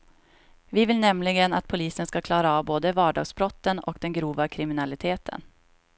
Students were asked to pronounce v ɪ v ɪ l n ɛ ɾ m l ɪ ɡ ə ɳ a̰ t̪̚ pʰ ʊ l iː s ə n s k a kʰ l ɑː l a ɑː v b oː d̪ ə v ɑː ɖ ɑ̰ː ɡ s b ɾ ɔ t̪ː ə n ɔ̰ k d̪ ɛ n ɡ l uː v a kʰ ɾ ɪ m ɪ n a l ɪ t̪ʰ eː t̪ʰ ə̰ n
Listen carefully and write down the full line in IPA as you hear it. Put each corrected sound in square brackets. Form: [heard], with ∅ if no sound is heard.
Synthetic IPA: v ɪ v ɪ l n ɛ [∅] m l ɪ ɡ ə [n] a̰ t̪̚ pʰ ʊ l iː s ə n s k a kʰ l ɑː [ɾ] a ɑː v b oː d̪ ə v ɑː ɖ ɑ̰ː ɡ s b ɾ ɔ t̪ː ə n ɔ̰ k d̪ ɛ n ɡ [ɾ] uː v a kʰ ɾ ɪ m ɪ n a l ɪ t̪ʰ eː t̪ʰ ə̰ n